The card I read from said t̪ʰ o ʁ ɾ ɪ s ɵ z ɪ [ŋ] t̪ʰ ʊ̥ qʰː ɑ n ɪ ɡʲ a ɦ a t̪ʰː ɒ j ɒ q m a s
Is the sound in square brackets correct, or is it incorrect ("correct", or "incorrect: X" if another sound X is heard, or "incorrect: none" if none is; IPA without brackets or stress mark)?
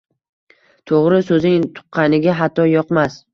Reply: correct